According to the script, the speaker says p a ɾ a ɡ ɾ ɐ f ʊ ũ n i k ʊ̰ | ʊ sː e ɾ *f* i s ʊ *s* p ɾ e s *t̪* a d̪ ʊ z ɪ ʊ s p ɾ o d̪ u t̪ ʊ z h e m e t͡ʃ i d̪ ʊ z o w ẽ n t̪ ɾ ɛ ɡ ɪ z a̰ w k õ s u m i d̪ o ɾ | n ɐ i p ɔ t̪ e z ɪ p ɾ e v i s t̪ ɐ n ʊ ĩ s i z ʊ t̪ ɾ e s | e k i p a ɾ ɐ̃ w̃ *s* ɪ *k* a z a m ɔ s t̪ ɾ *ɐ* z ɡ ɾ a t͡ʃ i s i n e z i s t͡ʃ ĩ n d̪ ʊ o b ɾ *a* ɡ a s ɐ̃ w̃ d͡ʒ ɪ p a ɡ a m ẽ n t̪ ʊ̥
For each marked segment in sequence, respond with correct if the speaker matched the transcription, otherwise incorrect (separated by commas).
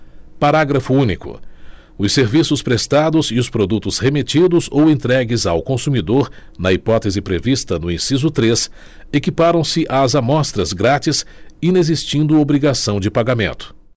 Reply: incorrect, correct, correct, correct, incorrect, correct, incorrect